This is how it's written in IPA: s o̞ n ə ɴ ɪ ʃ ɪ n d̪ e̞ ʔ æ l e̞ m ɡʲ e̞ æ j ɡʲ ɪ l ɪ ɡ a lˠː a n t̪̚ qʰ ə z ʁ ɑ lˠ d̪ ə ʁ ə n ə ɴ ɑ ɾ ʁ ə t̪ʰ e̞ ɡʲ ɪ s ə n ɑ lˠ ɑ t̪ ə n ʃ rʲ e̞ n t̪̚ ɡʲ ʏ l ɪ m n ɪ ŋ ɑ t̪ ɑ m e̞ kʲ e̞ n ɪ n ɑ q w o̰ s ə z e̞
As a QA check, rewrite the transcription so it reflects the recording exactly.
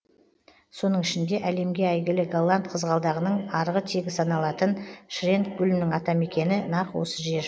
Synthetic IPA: s o̞ n ə ɴ ɪ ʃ ɪ n d̪ e̞ ʔ æ l e̞ m ɡʲ e̞ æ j ɡʲ ɪ l ɪ ɡ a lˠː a n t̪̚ qʰ ə z ʁ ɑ lˠ d̪ ɑ ʁ ə n ə ɴ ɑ ɾ ʁ ə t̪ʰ e̞ ɡʲ ɪ s ɑ n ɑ lˠ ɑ t̪ ə n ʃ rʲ e̞ n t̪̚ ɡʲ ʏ l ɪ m n ɪ ŋ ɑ t̪ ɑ m e̞ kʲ e̞ n ɪ n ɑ q w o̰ s ə ʒ e̞